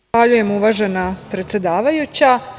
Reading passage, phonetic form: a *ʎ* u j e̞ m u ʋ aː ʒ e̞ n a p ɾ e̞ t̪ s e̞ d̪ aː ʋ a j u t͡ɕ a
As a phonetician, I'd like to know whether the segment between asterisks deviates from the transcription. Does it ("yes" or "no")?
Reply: no